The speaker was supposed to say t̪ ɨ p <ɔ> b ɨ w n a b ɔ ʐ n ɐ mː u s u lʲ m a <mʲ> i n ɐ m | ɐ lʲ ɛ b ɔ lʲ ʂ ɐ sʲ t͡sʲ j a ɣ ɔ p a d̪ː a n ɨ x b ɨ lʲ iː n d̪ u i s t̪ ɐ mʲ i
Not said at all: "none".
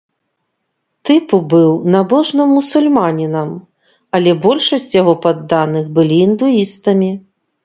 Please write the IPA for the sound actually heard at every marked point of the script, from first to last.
u, nʲ

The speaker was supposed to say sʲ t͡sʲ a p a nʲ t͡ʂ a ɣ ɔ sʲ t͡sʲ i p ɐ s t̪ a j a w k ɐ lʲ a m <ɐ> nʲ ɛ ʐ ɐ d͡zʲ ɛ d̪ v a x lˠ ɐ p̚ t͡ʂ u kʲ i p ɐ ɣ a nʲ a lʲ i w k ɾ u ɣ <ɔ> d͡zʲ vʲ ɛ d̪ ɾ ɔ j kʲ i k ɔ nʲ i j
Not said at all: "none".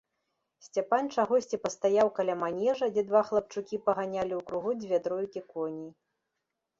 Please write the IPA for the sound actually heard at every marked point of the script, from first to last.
a, u

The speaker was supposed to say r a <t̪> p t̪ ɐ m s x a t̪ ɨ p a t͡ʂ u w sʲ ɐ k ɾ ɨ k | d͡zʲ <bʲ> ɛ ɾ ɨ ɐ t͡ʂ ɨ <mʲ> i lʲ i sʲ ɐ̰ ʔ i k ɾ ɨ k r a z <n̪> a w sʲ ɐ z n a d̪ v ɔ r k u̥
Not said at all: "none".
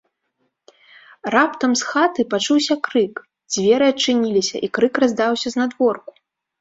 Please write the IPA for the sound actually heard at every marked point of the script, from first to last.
none, vʲ, nʲ, d̪

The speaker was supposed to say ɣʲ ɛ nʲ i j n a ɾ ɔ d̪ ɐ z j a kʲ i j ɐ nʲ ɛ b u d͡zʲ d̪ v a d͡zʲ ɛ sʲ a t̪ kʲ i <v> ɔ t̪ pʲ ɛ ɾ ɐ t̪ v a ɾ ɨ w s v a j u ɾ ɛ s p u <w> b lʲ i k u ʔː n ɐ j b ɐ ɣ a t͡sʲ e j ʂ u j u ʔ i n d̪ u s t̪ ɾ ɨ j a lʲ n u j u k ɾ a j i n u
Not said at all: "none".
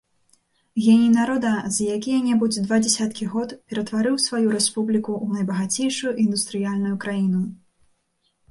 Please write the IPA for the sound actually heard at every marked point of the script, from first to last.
ɣ, none

